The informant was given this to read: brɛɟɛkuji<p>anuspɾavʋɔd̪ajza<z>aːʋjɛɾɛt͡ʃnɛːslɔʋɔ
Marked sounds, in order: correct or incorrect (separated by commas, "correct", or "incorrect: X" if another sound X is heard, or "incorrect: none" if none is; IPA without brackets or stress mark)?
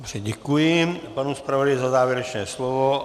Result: correct, correct